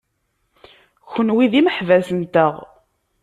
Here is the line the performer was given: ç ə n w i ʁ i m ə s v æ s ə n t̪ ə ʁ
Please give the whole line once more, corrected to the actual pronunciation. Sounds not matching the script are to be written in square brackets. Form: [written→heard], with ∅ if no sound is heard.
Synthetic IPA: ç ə n w i [ʁ→ð] i m ə [s→ħ] v æ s ə n t̪ ə ʁ